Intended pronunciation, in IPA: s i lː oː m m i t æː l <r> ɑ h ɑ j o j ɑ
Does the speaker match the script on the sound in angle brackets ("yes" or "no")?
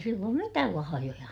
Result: no